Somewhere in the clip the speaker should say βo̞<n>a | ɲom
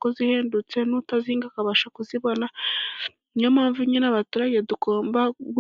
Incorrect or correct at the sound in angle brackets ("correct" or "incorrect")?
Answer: correct